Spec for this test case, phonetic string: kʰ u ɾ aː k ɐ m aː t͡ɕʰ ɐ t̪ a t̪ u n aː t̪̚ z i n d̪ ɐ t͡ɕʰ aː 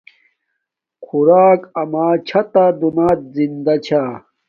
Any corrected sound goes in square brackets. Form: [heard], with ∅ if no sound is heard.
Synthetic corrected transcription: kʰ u ɾ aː k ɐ m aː t͡ɕʰ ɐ t̪ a [d̪] u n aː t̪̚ z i n d̪ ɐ t͡ɕʰ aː